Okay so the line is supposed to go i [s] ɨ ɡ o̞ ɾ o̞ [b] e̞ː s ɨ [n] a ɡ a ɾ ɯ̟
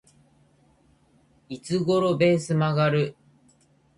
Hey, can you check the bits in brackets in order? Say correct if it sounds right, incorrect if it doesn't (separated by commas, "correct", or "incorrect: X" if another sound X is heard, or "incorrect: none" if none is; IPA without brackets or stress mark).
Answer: incorrect: t͡s, correct, incorrect: m